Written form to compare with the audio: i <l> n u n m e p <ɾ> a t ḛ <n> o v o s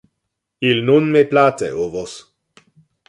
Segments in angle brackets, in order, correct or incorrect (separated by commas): correct, incorrect, incorrect